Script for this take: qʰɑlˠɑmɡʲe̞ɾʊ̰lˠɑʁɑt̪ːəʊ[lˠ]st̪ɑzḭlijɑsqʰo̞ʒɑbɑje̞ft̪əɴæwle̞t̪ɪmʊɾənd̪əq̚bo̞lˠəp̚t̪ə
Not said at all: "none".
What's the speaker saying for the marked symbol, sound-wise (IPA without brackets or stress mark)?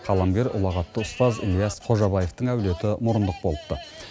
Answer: none